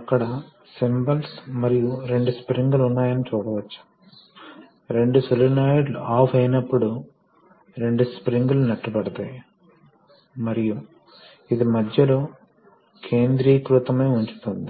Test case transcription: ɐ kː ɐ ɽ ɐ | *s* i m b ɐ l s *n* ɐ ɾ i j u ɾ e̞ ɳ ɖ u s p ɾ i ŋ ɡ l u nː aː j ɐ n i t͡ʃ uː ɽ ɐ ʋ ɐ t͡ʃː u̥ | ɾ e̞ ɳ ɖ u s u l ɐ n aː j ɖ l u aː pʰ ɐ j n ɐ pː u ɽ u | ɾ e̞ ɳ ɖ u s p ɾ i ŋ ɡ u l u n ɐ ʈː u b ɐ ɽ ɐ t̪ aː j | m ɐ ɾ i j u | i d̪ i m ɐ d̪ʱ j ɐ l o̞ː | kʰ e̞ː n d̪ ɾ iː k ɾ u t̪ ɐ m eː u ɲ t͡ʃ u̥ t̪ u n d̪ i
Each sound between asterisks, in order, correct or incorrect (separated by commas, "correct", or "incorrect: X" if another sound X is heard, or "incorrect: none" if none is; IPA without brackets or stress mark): correct, incorrect: m